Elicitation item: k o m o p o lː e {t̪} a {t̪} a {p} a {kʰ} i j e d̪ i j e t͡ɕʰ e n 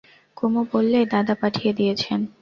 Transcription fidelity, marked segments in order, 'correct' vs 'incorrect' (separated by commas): incorrect, incorrect, correct, incorrect